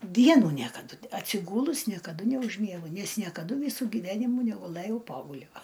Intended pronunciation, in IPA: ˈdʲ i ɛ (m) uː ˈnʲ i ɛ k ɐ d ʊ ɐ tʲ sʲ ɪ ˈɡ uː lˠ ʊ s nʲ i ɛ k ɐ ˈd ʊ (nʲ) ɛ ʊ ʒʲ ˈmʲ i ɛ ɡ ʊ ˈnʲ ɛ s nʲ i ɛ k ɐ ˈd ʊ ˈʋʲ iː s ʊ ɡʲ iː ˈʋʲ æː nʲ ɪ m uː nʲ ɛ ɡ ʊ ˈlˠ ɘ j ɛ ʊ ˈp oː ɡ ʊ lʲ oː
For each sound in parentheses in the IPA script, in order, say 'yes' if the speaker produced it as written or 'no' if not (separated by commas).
no, yes